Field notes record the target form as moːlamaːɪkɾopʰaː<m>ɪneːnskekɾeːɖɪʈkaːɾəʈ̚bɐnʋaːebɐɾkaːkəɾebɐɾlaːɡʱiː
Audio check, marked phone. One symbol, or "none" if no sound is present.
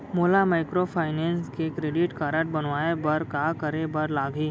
none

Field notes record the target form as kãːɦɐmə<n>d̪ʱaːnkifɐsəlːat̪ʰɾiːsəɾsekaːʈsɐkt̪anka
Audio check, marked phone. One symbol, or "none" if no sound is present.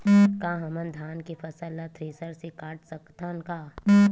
n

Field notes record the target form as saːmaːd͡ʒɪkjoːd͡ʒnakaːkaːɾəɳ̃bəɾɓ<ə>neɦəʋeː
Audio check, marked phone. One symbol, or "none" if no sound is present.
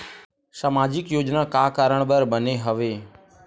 ə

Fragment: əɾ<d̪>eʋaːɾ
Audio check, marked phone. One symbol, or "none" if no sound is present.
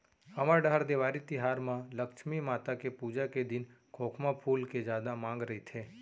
d̪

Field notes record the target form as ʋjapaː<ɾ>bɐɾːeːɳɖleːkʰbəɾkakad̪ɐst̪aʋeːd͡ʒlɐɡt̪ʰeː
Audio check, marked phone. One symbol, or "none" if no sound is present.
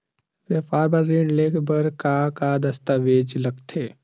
ɾ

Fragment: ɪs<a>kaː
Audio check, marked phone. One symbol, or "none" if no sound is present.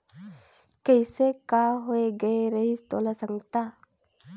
e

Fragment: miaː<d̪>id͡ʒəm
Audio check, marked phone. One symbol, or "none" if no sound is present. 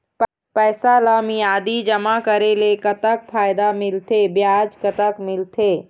d̪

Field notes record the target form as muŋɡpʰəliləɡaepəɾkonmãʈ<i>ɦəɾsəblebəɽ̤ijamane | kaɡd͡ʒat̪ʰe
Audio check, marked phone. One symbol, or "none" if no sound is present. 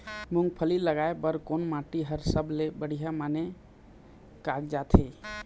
i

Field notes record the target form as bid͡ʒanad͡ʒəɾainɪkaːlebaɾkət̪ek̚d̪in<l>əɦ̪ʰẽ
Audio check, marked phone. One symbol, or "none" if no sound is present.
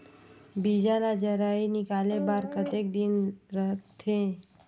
ɾ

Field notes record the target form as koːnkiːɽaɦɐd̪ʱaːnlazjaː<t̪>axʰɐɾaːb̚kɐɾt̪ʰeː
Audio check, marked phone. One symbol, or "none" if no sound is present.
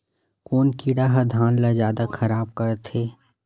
d̪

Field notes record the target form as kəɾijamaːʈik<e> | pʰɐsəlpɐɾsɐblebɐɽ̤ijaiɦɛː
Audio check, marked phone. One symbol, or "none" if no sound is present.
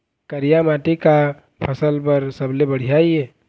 a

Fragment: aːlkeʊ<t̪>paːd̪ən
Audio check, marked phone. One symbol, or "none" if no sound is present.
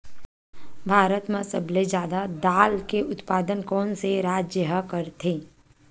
t̪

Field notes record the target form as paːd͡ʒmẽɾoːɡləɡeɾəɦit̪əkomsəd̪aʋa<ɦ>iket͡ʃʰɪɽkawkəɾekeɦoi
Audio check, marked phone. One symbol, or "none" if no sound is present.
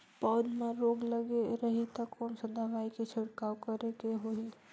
none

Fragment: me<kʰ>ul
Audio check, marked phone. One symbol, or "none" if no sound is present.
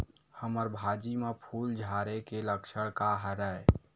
pʰ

